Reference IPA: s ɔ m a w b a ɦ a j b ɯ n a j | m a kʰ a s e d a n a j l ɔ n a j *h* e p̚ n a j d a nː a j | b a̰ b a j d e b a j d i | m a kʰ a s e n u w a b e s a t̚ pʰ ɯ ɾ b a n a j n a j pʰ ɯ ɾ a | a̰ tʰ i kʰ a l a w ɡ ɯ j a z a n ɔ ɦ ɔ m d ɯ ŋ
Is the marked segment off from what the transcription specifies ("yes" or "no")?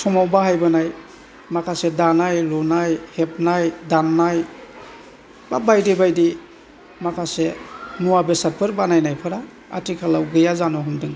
no